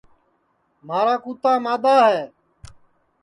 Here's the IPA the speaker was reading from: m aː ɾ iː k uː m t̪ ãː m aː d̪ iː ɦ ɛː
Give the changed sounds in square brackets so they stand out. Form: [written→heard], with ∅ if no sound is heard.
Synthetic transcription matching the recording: m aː ɾ [iː→aː] k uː [m→∅] t̪ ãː m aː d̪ [iː→aː] ɦ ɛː

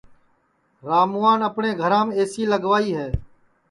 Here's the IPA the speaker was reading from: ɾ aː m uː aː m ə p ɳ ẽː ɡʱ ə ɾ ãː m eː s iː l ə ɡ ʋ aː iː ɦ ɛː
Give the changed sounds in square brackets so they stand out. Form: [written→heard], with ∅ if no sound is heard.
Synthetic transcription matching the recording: ɾ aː m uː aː [m→n] ə p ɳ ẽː ɡʱ ə ɾ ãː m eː s iː l ə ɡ ʋ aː iː ɦ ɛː

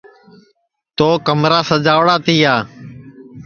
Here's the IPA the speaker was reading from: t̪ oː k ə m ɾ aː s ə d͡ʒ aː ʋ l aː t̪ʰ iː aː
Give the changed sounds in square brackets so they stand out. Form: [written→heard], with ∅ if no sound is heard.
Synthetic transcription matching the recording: t̪ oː k ə m ɾ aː s ə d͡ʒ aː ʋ [l→ɽ] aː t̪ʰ iː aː

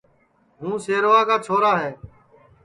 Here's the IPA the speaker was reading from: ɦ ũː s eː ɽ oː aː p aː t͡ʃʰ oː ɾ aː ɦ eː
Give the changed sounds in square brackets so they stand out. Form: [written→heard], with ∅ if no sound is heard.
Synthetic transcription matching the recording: ɦ ũː s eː [ɽ→ɾ] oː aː [p→k] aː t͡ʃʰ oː ɾ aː ɦ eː

